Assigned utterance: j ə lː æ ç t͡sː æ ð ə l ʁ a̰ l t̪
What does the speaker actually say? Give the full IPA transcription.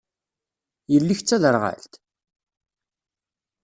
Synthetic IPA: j ə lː i ç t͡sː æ ð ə ɾ ʁ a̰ l t̪